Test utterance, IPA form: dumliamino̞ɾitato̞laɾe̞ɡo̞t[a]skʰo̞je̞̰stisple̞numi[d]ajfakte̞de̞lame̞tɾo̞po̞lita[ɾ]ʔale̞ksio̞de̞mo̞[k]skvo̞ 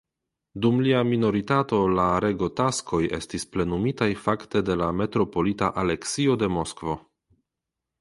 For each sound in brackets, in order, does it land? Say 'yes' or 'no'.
yes, no, no, no

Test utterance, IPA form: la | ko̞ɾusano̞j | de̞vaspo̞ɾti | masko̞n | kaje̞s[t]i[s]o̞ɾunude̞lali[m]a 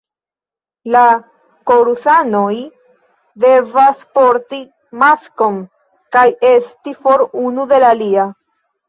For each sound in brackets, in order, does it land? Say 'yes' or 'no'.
yes, no, no

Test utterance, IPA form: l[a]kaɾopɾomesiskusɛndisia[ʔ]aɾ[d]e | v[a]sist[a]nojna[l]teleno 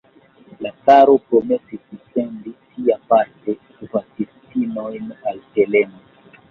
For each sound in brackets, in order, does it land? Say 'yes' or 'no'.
yes, no, no, yes, no, yes

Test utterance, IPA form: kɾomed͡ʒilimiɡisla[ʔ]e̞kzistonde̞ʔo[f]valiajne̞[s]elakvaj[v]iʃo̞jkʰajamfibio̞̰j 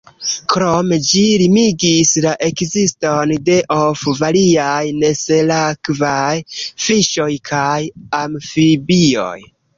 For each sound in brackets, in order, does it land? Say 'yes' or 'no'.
yes, yes, yes, no

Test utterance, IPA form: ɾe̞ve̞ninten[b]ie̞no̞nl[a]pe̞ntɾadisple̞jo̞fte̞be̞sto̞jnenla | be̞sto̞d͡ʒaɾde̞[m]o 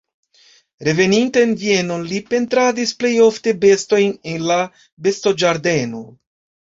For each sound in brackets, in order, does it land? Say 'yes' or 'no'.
no, no, no

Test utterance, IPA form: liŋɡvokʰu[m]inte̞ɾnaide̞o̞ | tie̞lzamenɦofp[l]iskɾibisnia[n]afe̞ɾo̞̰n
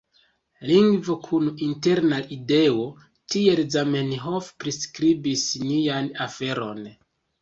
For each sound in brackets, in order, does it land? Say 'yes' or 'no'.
no, no, yes

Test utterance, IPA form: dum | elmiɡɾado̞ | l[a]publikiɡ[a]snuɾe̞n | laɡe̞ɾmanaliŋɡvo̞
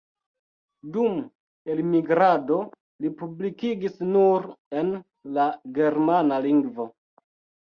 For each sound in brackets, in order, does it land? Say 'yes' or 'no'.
no, no

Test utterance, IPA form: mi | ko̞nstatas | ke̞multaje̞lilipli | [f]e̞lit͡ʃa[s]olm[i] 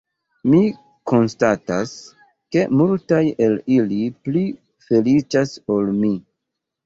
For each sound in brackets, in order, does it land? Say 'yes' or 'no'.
yes, yes, yes

